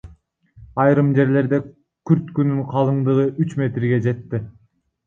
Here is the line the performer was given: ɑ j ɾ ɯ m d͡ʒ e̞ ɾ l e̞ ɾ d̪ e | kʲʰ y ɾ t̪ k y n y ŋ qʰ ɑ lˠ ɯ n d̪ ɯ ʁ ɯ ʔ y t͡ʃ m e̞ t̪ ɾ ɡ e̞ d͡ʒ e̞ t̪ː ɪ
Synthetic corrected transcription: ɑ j ɾ ɯ m d͡ʒ e̞ ɾ l e̞ ɾ d̪ e | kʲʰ y ɾ t̪ k y n y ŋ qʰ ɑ lˠ ɯ ɴ d̪ ɯ ʁ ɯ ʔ y t͡ʃ m e̞ t̪ ɾ ɡ e̞ d͡ʒ e̞ t̪ː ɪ

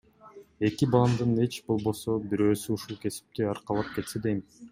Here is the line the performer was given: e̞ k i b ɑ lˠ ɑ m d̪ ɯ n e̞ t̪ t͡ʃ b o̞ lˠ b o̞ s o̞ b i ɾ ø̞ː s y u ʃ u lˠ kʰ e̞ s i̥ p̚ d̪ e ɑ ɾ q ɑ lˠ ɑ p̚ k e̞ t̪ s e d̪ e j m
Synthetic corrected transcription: e̞ k i b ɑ lˠ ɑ m d̪ ɯ n e̞ t͡ʃ b o̞ lˠ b o̞ s o̞ b i ɾ ø̞ː s y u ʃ u lˠ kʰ e̞ s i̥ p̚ t̪ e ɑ ɾ q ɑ lˠ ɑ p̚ k e̞ t̪ s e d̪ e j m

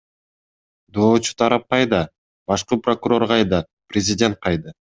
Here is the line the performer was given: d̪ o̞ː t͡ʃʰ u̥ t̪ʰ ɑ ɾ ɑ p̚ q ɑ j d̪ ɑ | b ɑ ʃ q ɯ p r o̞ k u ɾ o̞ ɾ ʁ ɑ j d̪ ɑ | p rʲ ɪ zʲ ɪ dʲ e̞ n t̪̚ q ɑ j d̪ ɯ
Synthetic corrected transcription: d̪ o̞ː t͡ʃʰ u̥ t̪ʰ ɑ ɾ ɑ p̚ q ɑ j d̪ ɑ | b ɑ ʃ q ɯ p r o̞ k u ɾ o̞ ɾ ʁ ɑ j d̪ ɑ | p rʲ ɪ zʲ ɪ dʲ e̞ n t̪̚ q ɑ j d̪ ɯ

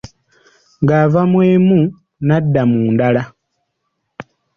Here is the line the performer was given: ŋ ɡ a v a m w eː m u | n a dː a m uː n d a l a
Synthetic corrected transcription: ŋ ɡ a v a m w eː m u | n a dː a m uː n d a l a

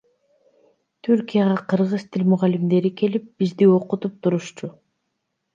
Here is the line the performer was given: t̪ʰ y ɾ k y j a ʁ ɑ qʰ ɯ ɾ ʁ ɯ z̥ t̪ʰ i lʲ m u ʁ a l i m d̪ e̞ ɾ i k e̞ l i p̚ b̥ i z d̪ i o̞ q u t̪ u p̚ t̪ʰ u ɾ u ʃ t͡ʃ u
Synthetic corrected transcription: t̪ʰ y ɾ k i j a ʁ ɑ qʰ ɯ ɾ ʁ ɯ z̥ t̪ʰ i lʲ m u ʁ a l i m d̪ e̞ ɾ i k e̞ l i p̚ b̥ i z d̪ i o̞ q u t̪ u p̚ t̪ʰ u ɾ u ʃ t͡ʃ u

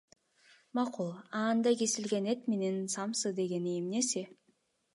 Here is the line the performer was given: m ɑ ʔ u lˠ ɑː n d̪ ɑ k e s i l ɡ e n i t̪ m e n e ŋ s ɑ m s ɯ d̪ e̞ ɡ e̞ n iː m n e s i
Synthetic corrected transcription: m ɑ q u lˠ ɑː n d̪ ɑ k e s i l ɡ e n e t̪ m e n e n s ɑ m s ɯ d̪ e̞ ɡ e̞ n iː m n e s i

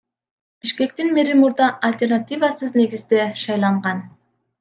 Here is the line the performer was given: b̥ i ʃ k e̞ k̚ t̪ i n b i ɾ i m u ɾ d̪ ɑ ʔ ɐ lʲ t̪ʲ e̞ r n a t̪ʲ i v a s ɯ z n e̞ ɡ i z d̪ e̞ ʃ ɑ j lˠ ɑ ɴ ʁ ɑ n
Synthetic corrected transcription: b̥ i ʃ k e̞ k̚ t̪ i n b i ɾ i m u ɾ d̪ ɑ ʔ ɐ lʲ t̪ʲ e̞ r n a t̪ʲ i v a s ɯ z n e̞ ɡ i z d̪ e̞ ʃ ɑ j lˠ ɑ ɴ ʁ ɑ n

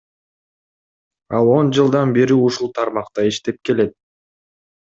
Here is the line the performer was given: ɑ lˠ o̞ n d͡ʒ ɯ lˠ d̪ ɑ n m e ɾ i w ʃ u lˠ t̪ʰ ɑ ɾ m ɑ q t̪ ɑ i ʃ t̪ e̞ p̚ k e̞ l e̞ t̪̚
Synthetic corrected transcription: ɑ lˠ o̞ n d͡ʒ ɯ lˠ d̪ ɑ n b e ɾ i u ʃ u lˠ t̪ʰ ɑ ɾ m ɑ q t̪ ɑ i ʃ t̪ e̞ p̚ k e̞ l e̞ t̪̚

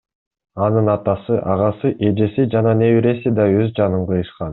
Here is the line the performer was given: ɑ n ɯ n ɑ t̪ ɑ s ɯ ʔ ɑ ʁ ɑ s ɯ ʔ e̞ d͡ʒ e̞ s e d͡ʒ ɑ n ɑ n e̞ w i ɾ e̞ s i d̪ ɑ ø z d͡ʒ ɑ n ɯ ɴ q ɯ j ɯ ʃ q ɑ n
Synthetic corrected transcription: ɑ n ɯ n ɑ t̪ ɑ s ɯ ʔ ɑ ʁ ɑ s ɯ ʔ e̞ d͡ʒ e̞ s i d͡ʒ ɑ n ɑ n e̞ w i ɾ e̞ s i d̪ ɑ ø z d͡ʒ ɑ n ɯ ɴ q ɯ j ɯ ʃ q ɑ n

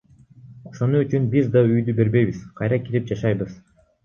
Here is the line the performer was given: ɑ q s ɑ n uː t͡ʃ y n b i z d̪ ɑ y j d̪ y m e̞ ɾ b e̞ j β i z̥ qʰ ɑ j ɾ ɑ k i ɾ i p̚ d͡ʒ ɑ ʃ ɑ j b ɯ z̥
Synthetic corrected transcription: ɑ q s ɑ n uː t͡ʃ y n b i z d̪ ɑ y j d̪ y b e̞ ɾ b e̞ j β i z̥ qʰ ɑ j ɾ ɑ k i ɾ i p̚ d͡ʒ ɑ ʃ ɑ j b ɯ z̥

